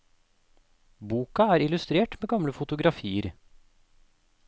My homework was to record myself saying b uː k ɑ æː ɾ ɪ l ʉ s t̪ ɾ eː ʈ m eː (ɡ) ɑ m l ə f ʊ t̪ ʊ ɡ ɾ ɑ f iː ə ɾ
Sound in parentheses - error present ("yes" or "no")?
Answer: no